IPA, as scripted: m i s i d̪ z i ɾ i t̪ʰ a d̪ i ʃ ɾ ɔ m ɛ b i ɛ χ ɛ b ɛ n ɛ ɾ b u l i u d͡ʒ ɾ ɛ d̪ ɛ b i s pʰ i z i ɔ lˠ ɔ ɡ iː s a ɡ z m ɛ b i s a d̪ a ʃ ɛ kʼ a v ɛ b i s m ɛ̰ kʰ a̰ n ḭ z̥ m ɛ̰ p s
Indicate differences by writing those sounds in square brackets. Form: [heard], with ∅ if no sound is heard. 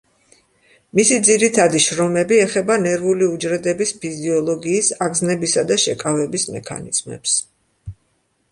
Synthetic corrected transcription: m i s i d̪ z i ɾ i t̪ʰ a d̪ i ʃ ɾ ɔ m ɛ b i ɛ χ ɛ b [a] n ɛ ɾ [v] u l i u d͡ʒ ɾ ɛ d̪ ɛ b i s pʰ i z i ɔ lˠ ɔ ɡ iː s a ɡ z [n] ɛ b i s a d̪ a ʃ ɛ kʼ a v ɛ b i s m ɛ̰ kʰ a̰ n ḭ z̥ m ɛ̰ p s

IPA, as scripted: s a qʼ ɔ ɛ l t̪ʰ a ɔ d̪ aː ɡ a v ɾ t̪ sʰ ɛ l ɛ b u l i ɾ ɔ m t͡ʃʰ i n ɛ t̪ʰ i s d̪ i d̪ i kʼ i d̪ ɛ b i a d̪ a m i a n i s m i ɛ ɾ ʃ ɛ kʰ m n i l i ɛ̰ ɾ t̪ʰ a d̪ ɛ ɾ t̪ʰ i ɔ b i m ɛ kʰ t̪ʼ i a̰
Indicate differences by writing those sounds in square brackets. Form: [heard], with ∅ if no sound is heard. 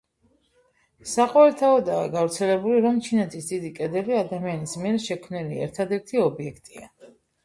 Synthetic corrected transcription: s a qʼ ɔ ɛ l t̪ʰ a ɔ d̪ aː ɡ a v ɾ t̪ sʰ ɛ l ɛ b u l i ɾ ɔ m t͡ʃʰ i n ɛ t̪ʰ i s d̪ i d̪ i kʼ [ɛ] d̪ ɛ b i a d̪ a m i a n i s m i ɛ ɾ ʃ ɛ kʰ m n i l i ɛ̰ ɾ t̪ʰ a d̪ ɛ ɾ t̪ʰ i ɔ b i [∅] ɛ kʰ t̪ʼ i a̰

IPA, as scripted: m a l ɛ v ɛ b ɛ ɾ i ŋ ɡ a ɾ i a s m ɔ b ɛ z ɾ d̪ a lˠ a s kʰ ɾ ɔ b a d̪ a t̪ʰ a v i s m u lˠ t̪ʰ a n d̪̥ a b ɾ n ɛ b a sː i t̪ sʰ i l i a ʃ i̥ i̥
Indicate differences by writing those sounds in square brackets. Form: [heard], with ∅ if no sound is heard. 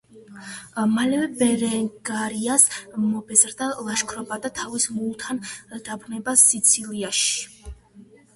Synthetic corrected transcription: m a l ɛ v ɛ b ɛ ɾ [ɛ] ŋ ɡ a ɾ i a s m ɔ b ɛ z ɾ d̪ a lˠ a [ʃ] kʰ ɾ ɔ b a d̪ a t̪ʰ a v i s m u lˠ t̪ʰ a n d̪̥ a b ɾ n ɛ b a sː i t̪ sʰ i l i a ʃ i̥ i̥

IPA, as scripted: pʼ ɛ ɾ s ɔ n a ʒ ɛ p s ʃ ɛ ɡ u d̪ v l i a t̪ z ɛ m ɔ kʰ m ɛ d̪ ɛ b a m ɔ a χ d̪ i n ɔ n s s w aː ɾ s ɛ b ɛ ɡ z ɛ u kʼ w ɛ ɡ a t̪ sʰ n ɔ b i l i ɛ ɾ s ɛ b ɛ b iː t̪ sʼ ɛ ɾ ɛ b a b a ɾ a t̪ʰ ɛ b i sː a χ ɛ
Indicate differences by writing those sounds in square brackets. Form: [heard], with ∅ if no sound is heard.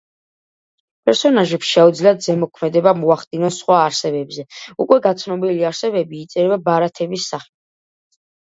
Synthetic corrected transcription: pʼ ɛ ɾ s ɔ n a ʒ ɛ p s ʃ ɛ [∅] u d̪ [z] l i a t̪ z ɛ m ɔ kʰ m ɛ d̪ ɛ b a m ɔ a χ d̪ i n ɔ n s [χ] w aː ɾ s ɛ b ɛ [b] z ɛ u kʼ w ɛ ɡ a t̪ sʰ n ɔ b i l i [a] ɾ s ɛ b ɛ b iː t̪ sʼ ɛ ɾ ɛ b a b a ɾ a t̪ʰ ɛ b i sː a χ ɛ

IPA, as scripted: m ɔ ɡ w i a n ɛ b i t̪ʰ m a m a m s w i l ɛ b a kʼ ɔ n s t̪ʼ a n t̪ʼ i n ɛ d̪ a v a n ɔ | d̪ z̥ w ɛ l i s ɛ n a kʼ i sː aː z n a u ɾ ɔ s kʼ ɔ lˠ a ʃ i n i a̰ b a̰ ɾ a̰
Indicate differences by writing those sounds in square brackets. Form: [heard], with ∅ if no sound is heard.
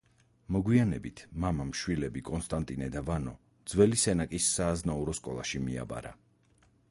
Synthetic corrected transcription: m ɔ ɡ w i a n ɛ b i t̪ʰ m a m a m [ʃ] w i l ɛ b [i] kʼ ɔ n s t̪ʼ a n t̪ʼ i n ɛ d̪ a v a n ɔ | d̪ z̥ w ɛ l i s ɛ n a kʼ i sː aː z n a u ɾ ɔ s kʼ ɔ lˠ a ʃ i [m] i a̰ b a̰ ɾ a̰

